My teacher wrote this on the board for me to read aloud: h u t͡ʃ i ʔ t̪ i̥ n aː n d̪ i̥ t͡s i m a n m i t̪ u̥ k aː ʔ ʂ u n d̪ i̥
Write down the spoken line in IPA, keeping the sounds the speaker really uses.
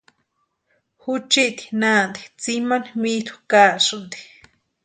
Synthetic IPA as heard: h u t͡ʃ i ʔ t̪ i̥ n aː n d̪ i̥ t͡s i m a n m i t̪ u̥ k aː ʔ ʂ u n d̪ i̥